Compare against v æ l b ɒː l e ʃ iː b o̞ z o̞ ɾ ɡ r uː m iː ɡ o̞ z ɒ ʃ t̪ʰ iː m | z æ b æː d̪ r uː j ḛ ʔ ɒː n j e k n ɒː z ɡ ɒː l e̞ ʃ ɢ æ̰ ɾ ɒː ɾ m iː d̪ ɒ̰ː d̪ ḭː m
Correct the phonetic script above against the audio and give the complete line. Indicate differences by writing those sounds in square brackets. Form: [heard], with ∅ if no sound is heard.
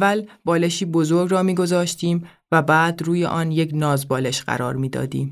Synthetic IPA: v æ l b ɒː l e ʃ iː b o̞ z o̞ ɾ ɡ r [ɒː] m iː ɡ o̞ z [ɒː] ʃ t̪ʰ iː m | [v] æ b æː d̪ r uː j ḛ ʔ ɒː n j e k n ɒː z [b] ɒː l e̞ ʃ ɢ æ̰ ɾ ɒː ɾ m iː d̪ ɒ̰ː d̪ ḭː m